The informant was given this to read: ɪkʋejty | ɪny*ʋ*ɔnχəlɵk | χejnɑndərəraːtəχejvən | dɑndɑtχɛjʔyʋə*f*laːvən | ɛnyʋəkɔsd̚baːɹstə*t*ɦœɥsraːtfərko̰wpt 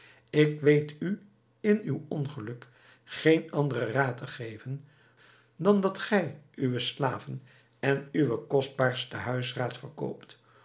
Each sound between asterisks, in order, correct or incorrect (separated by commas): incorrect, incorrect, incorrect